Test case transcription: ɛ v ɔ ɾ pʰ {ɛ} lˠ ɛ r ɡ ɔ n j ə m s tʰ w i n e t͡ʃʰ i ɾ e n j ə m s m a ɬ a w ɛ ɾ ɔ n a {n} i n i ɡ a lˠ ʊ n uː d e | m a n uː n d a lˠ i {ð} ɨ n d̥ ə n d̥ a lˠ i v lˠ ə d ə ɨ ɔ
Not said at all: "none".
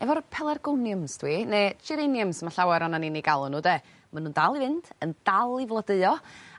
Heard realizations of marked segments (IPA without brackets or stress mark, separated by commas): ɛ, n, v